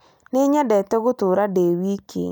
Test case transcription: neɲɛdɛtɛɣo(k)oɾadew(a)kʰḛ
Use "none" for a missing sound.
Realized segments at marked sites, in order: t, i

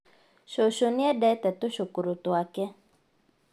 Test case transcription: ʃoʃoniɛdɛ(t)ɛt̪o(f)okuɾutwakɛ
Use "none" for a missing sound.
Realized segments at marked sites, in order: t, ʃ

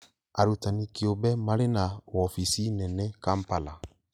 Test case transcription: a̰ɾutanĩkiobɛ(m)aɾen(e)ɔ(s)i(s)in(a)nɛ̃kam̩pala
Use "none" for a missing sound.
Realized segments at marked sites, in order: m, a, f, s, ɛ

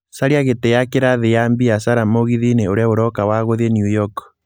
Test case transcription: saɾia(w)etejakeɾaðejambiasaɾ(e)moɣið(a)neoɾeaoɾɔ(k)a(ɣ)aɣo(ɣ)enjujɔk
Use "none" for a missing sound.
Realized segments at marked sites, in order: ɣ, a, i, k, w, ð

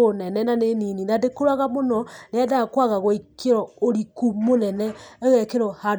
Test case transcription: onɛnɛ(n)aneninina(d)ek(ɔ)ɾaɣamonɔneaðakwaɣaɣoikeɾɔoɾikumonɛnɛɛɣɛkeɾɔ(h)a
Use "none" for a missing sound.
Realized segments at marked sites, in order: n, d, o, h

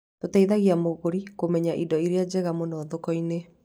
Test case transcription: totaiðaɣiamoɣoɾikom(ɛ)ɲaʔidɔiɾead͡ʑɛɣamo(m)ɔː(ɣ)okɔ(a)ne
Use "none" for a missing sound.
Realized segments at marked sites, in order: ɛ, n, ð, i

